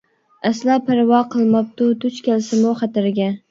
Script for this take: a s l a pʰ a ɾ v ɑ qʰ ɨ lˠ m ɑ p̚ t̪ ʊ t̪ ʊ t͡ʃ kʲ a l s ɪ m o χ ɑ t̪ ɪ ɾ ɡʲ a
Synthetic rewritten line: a s l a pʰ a ɾ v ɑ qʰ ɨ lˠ m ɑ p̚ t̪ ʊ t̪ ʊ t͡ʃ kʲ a l s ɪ m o χ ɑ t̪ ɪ ɾ ɡʲ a